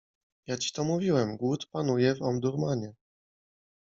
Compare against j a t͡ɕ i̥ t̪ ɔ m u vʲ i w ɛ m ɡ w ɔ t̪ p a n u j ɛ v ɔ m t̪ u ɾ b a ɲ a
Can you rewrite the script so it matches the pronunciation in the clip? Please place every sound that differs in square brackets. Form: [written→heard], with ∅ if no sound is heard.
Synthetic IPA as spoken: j a t͡ɕ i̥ t̪ ɔ m u vʲ i w ɛ m ɡ w [ɔ→u] t̪ p a n u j ɛ v ɔ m [t̪→d̪] u ɾ [b→m] a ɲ [a→ɛ]